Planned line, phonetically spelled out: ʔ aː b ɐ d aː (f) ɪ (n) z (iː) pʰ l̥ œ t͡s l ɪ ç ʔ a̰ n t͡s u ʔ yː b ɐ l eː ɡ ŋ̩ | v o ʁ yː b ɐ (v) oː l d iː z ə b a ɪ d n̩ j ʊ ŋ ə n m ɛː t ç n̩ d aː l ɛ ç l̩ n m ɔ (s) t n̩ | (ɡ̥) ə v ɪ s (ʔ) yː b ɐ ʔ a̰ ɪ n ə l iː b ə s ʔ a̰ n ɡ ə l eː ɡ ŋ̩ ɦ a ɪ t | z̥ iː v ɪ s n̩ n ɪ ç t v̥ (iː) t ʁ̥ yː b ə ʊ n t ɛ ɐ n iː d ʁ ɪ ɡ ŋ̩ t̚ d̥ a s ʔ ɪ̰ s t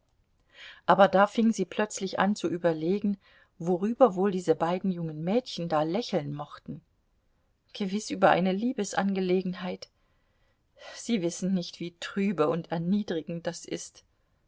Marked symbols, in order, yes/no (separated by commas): yes, no, yes, yes, no, yes, yes, yes